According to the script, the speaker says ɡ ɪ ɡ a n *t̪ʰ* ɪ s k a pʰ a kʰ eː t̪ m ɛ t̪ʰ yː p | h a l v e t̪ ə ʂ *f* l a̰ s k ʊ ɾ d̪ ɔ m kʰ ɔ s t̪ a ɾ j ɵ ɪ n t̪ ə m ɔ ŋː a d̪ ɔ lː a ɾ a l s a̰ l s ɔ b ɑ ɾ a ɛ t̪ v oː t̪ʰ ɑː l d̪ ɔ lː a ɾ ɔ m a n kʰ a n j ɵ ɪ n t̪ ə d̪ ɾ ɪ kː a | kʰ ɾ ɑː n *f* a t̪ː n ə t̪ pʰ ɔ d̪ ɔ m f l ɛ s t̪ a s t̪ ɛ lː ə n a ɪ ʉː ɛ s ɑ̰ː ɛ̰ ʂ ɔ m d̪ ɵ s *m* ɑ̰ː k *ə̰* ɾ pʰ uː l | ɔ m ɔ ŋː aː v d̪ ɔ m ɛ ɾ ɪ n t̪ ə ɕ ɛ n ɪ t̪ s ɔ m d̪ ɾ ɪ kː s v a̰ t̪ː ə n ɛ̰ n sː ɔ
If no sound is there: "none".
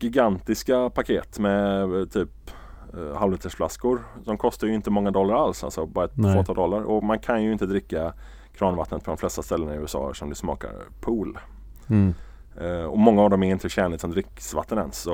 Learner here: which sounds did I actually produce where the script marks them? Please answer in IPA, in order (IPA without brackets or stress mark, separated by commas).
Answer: t̪, f, v, m, a̰